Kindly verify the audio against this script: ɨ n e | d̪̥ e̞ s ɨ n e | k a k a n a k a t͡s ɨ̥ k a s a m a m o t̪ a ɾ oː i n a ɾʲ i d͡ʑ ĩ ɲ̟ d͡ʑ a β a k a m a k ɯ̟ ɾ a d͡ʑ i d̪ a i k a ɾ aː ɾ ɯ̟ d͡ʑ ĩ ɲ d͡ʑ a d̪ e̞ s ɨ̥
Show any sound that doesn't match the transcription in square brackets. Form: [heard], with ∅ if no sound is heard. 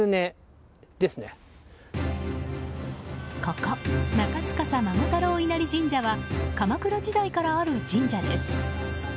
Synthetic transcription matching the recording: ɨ n e | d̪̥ e̞ s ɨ n e | k a k a n a k a t͡s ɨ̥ k a s a m a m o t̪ a ɾ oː i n a ɾʲ i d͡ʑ ĩ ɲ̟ d͡ʑ a β a k a m a k ɯ̟ ɾ a d͡ʑ i d̪ a i k a ɾ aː ɾ ɯ̟ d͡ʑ ĩ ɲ d͡ʑ a d̪ e̞ s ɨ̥

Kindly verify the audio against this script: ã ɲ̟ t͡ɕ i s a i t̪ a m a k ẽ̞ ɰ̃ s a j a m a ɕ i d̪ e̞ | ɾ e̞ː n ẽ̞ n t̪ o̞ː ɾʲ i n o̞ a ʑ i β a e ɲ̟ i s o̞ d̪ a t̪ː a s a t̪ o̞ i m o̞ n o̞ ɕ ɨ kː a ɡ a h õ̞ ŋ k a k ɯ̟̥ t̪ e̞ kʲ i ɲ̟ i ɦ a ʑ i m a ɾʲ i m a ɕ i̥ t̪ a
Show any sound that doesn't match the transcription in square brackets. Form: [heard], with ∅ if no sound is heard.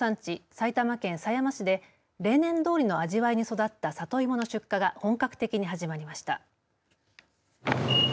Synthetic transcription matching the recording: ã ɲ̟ t͡ɕ i s a i t̪ a m a k ẽ̞ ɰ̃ s a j a m a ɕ i d̪ e̞ | ɾ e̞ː n ẽ̞ n [d̪] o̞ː ɾʲ i n o̞ a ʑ i β a [i] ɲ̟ i s o̞ d̪ a t̪ː a s a t̪ o̞ i m o̞ n o̞ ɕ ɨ kː a ɡ a h õ̞ ŋ k a k ɯ̟̥ t̪ e̞ kʲ i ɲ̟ i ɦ a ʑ i m a ɾʲ i m a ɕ i̥ t̪ a

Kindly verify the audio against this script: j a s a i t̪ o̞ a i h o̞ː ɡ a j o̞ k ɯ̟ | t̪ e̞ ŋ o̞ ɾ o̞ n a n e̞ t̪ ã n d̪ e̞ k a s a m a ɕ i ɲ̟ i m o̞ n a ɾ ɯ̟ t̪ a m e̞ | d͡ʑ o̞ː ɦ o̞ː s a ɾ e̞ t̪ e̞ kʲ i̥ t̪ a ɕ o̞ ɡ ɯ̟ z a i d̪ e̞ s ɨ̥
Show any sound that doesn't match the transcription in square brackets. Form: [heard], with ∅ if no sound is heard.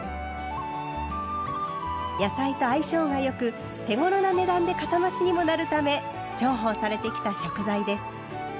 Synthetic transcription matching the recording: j a s a i t̪ o̞ a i [ɕ] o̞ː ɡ a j o̞ k ɯ̟ | t̪ e̞ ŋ o̞ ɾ o̞ n a n e̞ [d̪] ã n d̪ e̞ k a s a m a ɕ i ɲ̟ i m o̞ n a ɾ ɯ̟ t̪ a m e̞ | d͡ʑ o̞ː ɦ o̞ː s a ɾ e̞ t̪ e̞ kʲ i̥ t̪ a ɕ o̞ [k] ɯ̟ z a i d̪ e̞ s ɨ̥

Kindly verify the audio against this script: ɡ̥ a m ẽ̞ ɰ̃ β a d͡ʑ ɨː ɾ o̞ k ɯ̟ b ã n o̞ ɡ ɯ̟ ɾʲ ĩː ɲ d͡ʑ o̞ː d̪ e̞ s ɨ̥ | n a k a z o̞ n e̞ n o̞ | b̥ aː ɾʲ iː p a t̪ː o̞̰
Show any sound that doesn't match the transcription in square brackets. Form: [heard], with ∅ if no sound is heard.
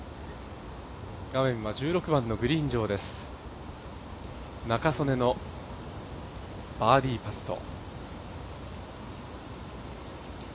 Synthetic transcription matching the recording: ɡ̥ a m ẽ̞ ɰ̃ β a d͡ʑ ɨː ɾ o̞ k ɯ̟ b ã [nː] o̞ ɡ ɯ̟ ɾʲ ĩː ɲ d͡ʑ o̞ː d̪ e̞ s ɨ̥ | n a k a [s] o̞ n e̞ n o̞ | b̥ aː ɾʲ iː p a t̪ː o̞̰

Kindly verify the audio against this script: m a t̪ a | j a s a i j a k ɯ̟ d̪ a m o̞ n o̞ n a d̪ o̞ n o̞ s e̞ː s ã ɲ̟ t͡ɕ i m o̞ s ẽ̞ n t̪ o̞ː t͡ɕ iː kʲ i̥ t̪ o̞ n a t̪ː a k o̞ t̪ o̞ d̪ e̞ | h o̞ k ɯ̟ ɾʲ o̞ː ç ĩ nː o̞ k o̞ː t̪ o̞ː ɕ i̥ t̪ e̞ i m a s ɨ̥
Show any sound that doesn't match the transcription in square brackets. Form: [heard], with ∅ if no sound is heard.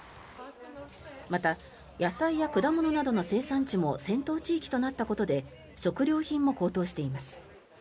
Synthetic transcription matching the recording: m a t̪ a | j a s a i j a k ɯ̟ d̪ a m o̞ n o̞ n a d̪ o̞ n o̞ s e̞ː s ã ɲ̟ t͡ɕ i m o̞ s ẽ̞ n t̪ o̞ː t͡ɕ iː kʲ i̥ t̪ o̞ n a t̪ː a k o̞ t̪ o̞ d̪ e̞ | [ɕ] o̞ k ɯ̟ ɾʲ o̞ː ç ĩ [mː] o̞ k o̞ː t̪ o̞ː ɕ i̥ t̪ e̞ i m a s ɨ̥

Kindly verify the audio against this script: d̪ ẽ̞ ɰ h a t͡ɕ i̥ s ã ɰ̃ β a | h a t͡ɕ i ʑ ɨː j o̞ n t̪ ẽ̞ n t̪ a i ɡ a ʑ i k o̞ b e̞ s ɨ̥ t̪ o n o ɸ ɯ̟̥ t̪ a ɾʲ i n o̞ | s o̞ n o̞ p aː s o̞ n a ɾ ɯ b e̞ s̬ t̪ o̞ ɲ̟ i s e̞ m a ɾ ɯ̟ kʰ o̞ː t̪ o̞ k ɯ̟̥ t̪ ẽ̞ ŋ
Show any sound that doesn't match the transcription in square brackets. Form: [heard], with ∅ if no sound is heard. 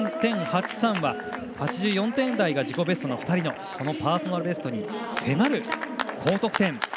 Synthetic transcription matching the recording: [t̪] ẽ̞ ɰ h a t͡ɕ i̥ s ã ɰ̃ β a | h a t͡ɕ i ʑ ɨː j [õ̞] n t̪ ẽ̞ n [d̪] a i ɡ a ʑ i k o̞ b e̞ s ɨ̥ t̪ o n o ɸ ɯ̟̥ t̪ a ɾʲ i n o̞ | s o̞ n o̞ p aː s o̞ n a ɾ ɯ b e̞ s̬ t̪ o̞ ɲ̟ i s e̞ m a ɾ ɯ̟ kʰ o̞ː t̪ o̞ k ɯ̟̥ t̪ ẽ̞ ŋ

